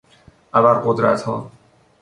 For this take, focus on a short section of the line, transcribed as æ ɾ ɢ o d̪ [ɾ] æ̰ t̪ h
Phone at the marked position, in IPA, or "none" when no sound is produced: ɾ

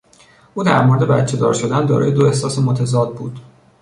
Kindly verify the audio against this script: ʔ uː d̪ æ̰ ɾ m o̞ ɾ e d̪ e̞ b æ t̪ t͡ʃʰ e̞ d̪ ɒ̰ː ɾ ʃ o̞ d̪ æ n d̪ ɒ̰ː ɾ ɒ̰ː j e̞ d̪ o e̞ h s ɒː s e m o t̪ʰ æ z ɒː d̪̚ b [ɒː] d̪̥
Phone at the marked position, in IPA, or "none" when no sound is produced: uː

